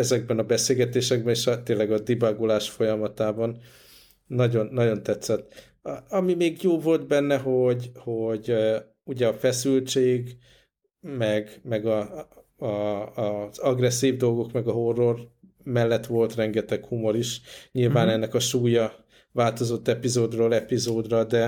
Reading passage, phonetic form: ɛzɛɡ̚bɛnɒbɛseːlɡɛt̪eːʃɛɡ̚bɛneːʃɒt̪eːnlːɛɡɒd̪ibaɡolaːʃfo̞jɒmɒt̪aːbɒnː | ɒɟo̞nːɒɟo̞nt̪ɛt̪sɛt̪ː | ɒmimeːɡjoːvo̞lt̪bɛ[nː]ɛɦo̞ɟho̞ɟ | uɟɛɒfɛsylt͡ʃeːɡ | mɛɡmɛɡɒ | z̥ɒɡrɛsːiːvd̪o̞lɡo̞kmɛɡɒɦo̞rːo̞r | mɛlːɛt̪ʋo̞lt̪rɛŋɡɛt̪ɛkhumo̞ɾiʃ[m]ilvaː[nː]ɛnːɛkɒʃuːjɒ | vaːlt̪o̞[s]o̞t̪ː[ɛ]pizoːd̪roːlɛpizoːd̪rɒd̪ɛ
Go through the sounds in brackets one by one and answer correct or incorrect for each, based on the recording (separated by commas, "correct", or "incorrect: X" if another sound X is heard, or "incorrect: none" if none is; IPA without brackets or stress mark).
correct, incorrect: ɲ, incorrect: n, incorrect: z, correct